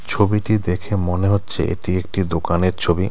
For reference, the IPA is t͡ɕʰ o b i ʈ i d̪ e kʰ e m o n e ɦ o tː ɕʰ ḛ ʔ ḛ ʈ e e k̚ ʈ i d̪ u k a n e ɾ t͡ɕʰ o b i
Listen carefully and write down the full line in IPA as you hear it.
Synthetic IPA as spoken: t͡ɕʰ o b i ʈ i d̪ e kʰ e m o n e ɦ o tː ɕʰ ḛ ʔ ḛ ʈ i e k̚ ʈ i d̪ o k a n e ɾ t͡ɕʰ o b i